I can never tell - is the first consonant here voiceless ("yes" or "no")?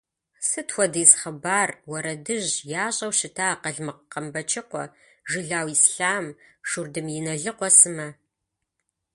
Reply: yes